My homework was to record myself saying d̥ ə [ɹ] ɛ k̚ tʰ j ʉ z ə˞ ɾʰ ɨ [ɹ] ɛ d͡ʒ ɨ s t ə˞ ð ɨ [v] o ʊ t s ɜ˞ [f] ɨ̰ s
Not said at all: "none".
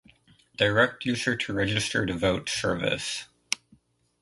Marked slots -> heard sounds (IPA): ɹ, ɹ, v, v

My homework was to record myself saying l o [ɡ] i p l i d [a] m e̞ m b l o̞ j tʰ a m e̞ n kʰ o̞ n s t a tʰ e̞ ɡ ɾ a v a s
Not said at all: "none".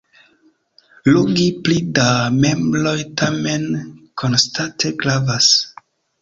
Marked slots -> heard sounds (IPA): ɡ, a

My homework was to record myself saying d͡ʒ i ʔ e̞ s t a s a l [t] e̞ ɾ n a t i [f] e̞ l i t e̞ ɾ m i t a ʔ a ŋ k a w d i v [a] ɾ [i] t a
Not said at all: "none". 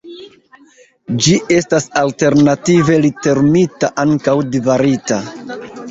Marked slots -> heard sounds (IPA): t, v, a, i

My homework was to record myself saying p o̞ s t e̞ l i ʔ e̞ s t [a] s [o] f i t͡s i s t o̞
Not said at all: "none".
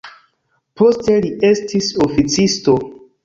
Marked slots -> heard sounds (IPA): i, o

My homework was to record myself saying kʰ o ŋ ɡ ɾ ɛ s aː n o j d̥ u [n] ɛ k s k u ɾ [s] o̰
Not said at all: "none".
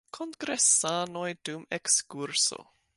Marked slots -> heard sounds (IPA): m, s

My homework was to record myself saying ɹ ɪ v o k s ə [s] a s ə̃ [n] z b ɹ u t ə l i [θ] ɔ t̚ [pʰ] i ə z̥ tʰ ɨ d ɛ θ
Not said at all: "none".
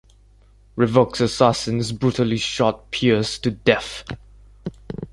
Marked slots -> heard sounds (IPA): s, n, ʃ, pʰ

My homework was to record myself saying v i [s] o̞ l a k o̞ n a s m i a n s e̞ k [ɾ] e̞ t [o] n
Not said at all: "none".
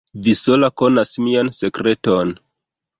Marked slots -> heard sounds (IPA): s, ɾ, o

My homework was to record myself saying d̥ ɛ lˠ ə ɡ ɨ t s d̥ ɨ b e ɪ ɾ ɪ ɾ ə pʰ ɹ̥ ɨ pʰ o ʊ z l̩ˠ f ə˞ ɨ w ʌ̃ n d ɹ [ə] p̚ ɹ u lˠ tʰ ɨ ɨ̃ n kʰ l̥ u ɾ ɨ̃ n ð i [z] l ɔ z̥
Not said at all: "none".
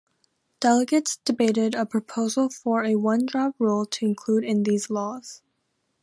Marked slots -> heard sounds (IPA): ɑ, z

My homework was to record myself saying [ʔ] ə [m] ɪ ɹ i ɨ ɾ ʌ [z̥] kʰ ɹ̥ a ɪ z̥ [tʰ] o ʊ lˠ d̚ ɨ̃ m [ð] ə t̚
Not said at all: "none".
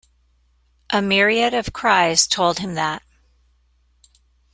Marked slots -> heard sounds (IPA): ʔ, m, v̥, tʰ, ð

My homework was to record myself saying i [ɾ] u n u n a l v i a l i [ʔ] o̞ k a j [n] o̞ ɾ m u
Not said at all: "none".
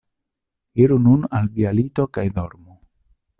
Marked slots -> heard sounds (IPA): ɾ, t, d

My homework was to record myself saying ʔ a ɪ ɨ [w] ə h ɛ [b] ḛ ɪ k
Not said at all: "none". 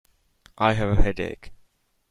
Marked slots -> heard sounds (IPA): v, d

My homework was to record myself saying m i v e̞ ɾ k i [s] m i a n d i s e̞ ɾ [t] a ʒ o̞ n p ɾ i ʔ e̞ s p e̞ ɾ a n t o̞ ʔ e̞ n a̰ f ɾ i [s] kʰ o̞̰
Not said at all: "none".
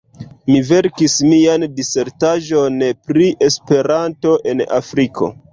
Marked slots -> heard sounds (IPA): s, t, none

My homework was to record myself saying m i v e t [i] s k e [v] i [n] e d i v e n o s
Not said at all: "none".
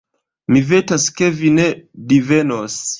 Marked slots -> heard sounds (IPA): a, v, n

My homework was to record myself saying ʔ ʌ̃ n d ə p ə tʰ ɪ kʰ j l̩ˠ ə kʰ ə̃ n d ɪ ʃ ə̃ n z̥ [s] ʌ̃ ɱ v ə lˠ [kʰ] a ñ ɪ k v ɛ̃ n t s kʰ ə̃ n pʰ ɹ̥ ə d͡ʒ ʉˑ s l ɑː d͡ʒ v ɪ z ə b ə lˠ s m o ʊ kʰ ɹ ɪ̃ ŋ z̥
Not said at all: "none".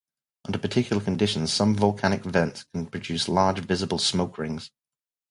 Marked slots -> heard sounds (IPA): s, kʰ

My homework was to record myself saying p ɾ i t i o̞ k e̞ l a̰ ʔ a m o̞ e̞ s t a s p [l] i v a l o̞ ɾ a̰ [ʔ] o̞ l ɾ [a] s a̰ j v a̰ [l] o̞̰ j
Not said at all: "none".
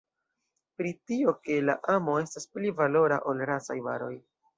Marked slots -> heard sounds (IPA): l, ʔ, a, ɾ

